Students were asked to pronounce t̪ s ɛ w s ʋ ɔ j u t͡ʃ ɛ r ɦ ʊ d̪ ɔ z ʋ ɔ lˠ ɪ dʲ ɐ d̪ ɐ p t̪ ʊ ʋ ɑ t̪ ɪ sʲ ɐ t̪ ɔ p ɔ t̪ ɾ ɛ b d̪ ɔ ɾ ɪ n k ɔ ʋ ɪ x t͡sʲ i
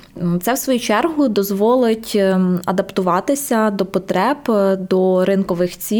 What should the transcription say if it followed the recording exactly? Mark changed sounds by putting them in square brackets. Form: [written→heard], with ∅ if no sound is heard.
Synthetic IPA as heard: t̪ s ɛ w s ʋ ɔ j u t͡ʃ ɛ r ɦ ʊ d̪ ɔ z ʋ ɔ lˠ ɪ [dʲ→tʲ] ɐ d̪ ɐ p t̪ ʊ ʋ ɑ t̪ ɪ sʲ ɐ [t̪→d̪] ɔ p ɔ t̪ ɾ ɛ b d̪ ɔ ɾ ɪ n k ɔ ʋ ɪ x t͡sʲ i